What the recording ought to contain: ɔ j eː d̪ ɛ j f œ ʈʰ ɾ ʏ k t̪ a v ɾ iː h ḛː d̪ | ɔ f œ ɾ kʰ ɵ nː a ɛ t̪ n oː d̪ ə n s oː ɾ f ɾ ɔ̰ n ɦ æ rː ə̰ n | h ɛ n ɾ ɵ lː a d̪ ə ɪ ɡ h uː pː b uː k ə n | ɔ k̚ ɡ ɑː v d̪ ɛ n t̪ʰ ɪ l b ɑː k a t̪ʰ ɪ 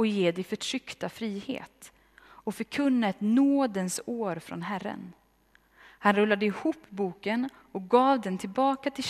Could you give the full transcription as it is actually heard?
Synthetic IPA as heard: ɔ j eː d̪ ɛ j f œ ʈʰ ɾ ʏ k t̪ a f ɾ iː h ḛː t̪ | ɔ f œ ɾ kʰ ɵ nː a ɛ t̪ n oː d̪ ə n s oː ɾ f ɾ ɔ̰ n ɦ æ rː ə̰ n | h a n ɾ ɵ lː a d̪ ə ɪ h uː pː b uː k ə n | ɔ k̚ ɡ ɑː v d̪ ɛ n t̪ʰ ɪ l b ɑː k a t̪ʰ ɪ